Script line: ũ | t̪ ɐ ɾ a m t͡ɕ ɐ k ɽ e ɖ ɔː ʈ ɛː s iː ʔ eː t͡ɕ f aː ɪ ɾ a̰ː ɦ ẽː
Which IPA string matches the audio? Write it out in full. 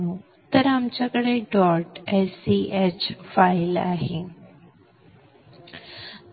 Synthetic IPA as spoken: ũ | t̪ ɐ ɾ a m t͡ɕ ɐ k ɽ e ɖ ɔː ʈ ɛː s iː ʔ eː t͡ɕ f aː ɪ l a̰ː ɦ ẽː